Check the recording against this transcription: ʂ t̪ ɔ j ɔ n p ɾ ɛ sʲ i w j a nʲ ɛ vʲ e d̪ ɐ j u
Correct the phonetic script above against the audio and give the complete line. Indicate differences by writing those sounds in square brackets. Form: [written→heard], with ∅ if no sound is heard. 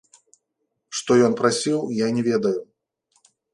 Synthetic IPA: ʂ t̪ ɔ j ɔ n p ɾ [ɛ→a] sʲ i w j a nʲ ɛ vʲ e d̪ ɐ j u